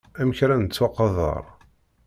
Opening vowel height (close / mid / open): open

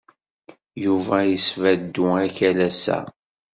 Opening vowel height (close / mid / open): close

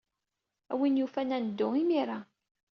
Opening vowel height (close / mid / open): open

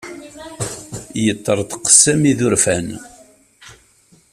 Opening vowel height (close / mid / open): mid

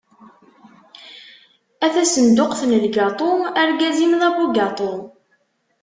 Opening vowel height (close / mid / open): open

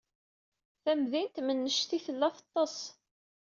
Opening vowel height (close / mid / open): open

